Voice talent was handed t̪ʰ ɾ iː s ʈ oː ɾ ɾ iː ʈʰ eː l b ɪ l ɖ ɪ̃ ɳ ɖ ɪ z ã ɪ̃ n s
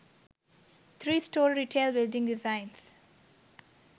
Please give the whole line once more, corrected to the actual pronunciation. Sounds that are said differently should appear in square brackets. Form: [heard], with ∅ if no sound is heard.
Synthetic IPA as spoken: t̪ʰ ɾ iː s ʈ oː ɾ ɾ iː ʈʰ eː l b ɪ l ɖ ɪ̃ [ŋ] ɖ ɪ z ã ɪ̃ n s